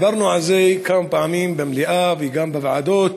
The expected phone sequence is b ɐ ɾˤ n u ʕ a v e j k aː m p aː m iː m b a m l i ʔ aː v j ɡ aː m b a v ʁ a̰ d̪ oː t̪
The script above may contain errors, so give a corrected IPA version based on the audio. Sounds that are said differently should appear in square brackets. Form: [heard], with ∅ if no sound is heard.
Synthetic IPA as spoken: b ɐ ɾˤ n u ʕ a [z] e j k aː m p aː m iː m b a m l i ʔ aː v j ɡ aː m b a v [ʕ] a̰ d̪ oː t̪